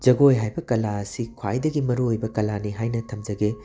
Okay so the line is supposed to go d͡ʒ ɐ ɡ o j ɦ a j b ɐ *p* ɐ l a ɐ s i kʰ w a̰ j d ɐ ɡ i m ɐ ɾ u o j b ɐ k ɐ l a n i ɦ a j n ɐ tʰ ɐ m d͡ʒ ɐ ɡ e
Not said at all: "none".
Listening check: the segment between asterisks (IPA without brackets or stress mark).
k